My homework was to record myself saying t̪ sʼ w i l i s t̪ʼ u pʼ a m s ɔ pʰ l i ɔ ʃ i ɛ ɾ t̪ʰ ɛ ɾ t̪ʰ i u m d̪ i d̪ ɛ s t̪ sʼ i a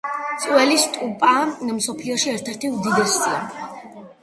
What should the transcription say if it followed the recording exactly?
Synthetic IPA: t̪ sʼ w ɛ l i s t̪ʼ u pʼ a m s ɔ pʰ l i ɔ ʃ i ɛ ɾ t̪ʰ ɛ ɾ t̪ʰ i u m d̪ i d̪ ɛ s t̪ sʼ i a

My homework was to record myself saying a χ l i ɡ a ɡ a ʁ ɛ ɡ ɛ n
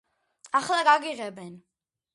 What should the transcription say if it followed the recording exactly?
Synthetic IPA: a χ l a ɡ a ɡ i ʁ ɛ b ɛ n

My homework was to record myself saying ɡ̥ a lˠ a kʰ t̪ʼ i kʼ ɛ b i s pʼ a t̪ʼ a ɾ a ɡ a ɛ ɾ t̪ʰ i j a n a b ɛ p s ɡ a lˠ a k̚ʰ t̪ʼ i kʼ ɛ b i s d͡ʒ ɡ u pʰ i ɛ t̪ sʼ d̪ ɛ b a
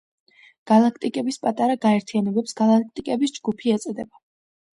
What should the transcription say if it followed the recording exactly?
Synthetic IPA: ɡ̥ a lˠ a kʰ t̪ʼ i kʼ ɛ b i s pʼ a t̪ʼ a ɾ a ɡ a ɛ ɾ t̪ʰ i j a n ɛ b ɛ p s ɡ a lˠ a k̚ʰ t̪ʼ i kʼ ɛ b i s d͡ʒ ɡ u pʰ i ɛ t̪ sʼ d̪ ɛ b a

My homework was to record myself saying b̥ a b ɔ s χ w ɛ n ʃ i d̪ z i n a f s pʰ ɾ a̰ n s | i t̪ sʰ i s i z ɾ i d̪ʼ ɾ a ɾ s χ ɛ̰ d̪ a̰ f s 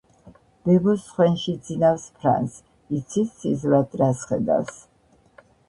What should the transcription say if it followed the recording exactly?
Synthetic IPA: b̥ ɛ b ɔ s χ w ɛ n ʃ i d̪ z i n a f s pʰ ɾ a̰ n s | i t̪ sʰ i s i z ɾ a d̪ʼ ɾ a s χ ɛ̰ d̪ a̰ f s

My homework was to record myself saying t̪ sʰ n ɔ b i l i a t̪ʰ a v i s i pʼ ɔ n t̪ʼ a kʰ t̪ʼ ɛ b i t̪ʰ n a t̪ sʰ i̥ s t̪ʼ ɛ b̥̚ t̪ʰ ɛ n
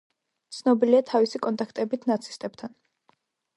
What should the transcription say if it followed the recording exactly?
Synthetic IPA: t̪ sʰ n ɔ b i l i a t̪ʰ a v i s i kʼ ɔ n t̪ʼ a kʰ t̪ʼ ɛ b i t̪ʰ n a t̪ sʰ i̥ s t̪ʼ ɛ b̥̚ t̪ʰ a n

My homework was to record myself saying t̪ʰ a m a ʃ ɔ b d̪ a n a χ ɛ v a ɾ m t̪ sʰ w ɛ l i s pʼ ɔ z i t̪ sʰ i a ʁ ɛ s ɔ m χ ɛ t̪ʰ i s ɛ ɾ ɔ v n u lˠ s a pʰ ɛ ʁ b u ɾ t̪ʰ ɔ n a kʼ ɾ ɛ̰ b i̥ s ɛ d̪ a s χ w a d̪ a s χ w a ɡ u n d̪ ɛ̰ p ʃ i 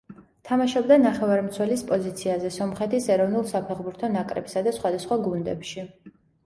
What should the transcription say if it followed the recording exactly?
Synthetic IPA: t̪ʰ a m a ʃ ɔ b d̪ a n a χ ɛ v a ɾ m t̪ sʰ w ɛ l i s pʼ ɔ z i t̪ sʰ i a z ɛ s ɔ m χ ɛ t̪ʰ i s ɛ ɾ ɔ v n u lˠ s a pʰ ɛ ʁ b u ɾ t̪ʰ ɔ n a kʼ ɾ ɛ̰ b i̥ s a d̪ a s χ w a d̪ a s χ w a ɡ u n d̪ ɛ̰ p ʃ i

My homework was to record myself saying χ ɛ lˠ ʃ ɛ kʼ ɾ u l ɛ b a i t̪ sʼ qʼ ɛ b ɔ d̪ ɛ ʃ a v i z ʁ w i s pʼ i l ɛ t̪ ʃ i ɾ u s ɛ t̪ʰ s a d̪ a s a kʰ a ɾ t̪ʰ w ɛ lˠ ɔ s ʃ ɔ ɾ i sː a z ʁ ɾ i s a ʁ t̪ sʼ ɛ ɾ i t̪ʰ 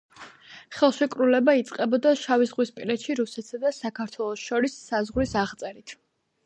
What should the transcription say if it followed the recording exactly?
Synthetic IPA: χ ɛ lˠ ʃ ɛ kʼ ɾ u l ɛ b a i t̪ sʼ qʼ ɛ b ɔ d̪ a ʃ a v i z ʁ w i s pʼ i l ɛ t̪ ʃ i ɾ u s ɛ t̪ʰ s a d̪ a s a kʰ a ɾ t̪ʰ w ɛ lˠ ɔ s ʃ ɔ ɾ i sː a z ʁ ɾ i s a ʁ t̪ sʼ ɛ ɾ i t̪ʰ

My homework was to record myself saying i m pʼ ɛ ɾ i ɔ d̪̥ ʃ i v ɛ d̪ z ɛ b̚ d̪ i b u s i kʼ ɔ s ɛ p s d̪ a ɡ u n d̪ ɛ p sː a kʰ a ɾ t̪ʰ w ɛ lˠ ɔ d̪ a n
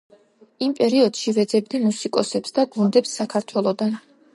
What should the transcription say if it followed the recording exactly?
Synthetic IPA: i m pʼ ɛ ɾ i ɔ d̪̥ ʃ i v ɛ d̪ z ɛ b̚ d̪ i m u s i kʼ ɔ s ɛ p s d̪ a ɡ u n d̪ ɛ p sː a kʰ a ɾ t̪ʰ w ɛ lˠ ɔ d̪ a n

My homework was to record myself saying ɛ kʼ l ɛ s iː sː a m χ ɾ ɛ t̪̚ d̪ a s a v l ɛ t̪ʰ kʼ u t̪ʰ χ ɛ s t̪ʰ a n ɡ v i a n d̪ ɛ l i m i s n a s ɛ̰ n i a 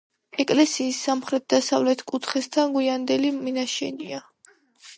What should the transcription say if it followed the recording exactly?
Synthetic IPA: ɛ kʼ l ɛ s iː sː a m χ ɾ ɛ t̪̚ d̪ a s a v l ɛ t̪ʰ kʼ u t̪ʰ χ ɛ s t̪ʰ a n ɡ w i a n d̪ ɛ l i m i n a ʃ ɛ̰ n i a

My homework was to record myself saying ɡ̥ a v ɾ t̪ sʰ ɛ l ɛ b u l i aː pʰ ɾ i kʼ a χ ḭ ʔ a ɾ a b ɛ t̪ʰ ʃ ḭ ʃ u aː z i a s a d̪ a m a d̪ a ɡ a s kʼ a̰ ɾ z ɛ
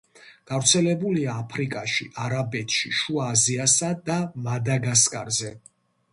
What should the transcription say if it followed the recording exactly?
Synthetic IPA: ɡ̥ a v ɾ t̪ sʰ ɛ l ɛ b u l i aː pʰ ɾ i kʼ a ʃ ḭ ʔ a ɾ a b ɛ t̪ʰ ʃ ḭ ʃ u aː z i a s a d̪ a m a d̪ a ɡ a s kʼ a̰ ɾ z ɛ

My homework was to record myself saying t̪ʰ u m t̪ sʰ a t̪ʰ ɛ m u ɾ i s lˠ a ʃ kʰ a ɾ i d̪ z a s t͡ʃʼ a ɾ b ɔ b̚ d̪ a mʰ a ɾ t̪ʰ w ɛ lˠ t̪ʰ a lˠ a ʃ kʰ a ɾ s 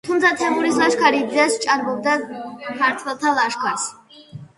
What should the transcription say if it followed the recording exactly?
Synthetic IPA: t̪ʰ u m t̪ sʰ a t̪ʰ ɛ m u ɾ i s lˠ a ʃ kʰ a ɾ i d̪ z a s t͡ʃʼ a ɾ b ɔ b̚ d̪ a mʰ a ɾ t̪ʰ w ɛ lˠ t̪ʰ a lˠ a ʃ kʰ a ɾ s

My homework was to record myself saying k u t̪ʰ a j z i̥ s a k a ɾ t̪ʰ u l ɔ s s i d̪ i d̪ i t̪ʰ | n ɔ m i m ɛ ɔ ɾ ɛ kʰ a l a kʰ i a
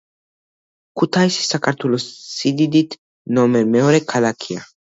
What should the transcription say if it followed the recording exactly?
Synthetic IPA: k u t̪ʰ a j s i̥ s a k a ɾ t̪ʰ u l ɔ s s i d̪ i d̪ i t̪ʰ | n ɔ m ɛ m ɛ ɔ ɾ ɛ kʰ a l a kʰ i a

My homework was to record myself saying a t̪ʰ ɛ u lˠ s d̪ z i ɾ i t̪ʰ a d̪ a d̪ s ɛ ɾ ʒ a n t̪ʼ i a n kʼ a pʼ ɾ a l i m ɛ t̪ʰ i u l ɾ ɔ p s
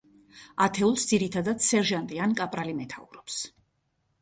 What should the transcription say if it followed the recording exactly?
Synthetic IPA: a t̪ʰ ɛ u lˠ s d̪ z i ɾ i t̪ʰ a d̪ a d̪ s ɛ ɾ ʒ a n t̪ʼ i a n kʼ a pʼ ɾ a l i m ɛ t̪ʰ a u ɾ ɔ p s

